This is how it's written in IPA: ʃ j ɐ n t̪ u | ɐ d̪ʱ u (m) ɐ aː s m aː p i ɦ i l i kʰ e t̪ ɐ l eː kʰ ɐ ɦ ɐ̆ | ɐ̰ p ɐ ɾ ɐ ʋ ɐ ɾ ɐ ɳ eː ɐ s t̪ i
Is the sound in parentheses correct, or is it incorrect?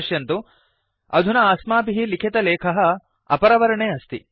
incorrect